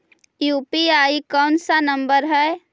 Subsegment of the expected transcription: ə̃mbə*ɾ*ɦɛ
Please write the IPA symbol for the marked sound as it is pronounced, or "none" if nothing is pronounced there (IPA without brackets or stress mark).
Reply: ɾ